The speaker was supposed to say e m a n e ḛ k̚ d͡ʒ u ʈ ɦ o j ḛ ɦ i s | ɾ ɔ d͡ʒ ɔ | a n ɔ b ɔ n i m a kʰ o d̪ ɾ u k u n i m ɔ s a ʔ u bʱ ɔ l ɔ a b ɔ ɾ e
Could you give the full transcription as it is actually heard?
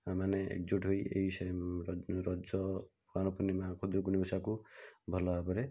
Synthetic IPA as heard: a m a n e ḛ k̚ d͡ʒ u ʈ ɦ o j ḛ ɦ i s | ɾ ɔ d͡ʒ ɔ | a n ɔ p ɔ n i m a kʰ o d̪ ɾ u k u n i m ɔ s a k u bʱ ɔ l ɔ a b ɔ ɾ e